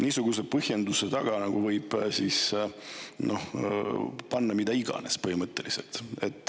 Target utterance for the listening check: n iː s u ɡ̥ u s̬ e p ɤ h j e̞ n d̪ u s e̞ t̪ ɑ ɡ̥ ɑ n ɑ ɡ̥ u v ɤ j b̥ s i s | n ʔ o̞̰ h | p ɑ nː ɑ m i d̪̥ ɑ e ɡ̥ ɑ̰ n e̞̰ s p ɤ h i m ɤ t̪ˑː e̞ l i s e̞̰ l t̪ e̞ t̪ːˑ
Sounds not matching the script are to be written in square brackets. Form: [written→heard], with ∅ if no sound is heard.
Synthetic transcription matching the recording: n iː s u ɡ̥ u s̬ e p ɤ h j e̞ n d̪ u s e̞ t̪ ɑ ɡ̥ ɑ n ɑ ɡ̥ u v ɤ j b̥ s i s | n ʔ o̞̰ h | p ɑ nː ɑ m i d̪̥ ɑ [e→i] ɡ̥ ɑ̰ n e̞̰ s p ɤ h i m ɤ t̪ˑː e̞ l i s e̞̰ l t̪ e̞ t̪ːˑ

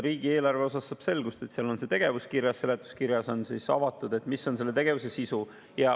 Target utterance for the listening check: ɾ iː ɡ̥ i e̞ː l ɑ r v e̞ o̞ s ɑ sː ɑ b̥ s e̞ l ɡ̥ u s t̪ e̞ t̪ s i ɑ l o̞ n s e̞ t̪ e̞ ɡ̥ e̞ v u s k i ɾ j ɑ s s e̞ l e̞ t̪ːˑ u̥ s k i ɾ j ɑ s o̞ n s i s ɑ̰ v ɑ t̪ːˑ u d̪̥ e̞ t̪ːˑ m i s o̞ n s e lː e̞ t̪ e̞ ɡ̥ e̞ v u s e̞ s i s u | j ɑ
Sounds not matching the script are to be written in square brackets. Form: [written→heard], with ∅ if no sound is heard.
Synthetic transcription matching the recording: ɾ iː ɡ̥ i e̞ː l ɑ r v e̞ o̞ s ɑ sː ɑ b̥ s e̞ l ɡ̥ u s t̪ e̞ t̪ s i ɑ l o̞ n s e̞ t̪ e̞ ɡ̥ e̞ v u s k i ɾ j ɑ s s e̞ l e̞ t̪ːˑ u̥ s k i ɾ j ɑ s o̞ n s i s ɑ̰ v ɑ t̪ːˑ u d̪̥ e̞ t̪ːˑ m i s o̞ n s e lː e̞ t̪ e̞ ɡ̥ e̞ v u s e̞ s i s u | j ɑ

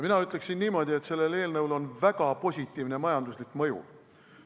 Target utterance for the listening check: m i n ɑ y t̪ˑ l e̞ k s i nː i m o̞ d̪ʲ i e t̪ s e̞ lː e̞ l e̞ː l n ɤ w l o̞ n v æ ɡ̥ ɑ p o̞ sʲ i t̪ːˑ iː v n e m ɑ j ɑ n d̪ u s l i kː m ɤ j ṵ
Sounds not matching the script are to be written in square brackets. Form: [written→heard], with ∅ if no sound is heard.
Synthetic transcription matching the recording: m i n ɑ y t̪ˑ l e̞ k s i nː [i→iː] m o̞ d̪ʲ i e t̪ s e̞ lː e̞ l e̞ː l n ɤ w l o̞ n v æ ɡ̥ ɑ p o̞ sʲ i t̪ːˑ iː v n e m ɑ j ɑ n d̪ u s l i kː m ɤ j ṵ

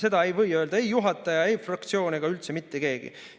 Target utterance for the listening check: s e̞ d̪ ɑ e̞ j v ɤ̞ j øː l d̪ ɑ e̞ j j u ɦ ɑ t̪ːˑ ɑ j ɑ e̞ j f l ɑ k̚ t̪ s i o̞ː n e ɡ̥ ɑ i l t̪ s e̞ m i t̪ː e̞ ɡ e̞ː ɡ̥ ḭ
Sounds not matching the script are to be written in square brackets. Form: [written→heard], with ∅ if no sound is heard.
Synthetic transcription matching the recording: s e̞ d̪ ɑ e̞ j v ɤ̞ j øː l d̪ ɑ e̞ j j u ɦ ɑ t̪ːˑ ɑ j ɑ e̞ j f [l→r] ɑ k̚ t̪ s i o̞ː n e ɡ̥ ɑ [i→y] l t̪ s e̞ m i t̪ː e̞ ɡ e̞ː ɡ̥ ḭ

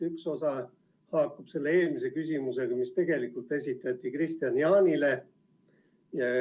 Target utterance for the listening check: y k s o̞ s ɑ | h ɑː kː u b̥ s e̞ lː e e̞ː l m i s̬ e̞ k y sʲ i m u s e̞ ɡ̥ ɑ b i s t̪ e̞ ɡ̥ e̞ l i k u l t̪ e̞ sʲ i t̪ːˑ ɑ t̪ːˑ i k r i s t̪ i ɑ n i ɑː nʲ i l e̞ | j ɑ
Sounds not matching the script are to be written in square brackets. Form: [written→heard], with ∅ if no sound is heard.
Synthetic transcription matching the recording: y k s o̞ s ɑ | h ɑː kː u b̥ s e̞ lː e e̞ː l m i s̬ e̞ k y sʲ i m u s e̞ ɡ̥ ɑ [b→m] i s t̪ e̞ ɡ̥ e̞ l i k u l t̪ e̞ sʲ i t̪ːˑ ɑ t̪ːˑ i k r i s t̪ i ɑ n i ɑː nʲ i l e̞ | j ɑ

